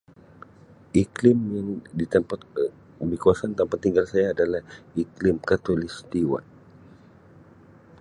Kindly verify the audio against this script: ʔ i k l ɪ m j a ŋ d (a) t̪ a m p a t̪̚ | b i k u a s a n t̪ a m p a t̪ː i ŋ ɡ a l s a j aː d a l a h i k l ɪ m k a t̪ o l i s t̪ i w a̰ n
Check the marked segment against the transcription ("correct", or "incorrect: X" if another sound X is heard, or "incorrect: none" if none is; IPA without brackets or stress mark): incorrect: i